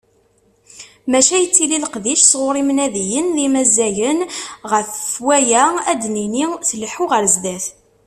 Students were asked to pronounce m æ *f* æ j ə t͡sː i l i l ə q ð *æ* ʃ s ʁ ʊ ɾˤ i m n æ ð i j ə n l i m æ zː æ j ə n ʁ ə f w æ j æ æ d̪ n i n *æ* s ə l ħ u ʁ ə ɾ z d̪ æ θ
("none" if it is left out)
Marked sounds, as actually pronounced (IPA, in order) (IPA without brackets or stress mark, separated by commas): ʃ, i, i